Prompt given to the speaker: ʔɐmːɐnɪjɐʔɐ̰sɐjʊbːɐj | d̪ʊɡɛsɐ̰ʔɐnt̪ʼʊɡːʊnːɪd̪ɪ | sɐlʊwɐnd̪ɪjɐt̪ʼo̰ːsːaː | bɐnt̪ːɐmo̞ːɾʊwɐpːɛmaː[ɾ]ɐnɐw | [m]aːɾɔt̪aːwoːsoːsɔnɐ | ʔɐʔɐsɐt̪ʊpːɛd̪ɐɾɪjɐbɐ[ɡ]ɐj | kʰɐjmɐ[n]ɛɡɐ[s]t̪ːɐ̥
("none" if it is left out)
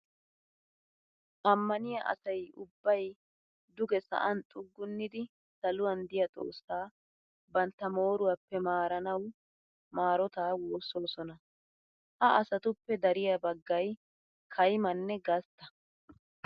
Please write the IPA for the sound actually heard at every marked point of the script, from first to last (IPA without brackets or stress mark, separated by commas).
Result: ɾ, m, ɡː, nː, s